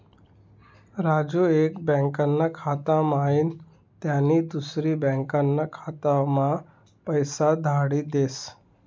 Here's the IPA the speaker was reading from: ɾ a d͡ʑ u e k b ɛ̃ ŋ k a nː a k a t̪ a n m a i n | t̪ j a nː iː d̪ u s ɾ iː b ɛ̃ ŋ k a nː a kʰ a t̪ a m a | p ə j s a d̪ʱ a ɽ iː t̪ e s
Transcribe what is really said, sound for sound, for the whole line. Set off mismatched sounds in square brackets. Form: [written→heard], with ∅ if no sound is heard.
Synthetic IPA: ɾ a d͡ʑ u e k b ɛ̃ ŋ k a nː a [k→kʰ] a t̪ a [n→∅] m a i n | t̪ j a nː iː d̪ u s ɾ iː b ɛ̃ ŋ k a nː a kʰ a t̪ a m a | p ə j s a d̪ʱ a ɽ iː [t̪→d̪] e s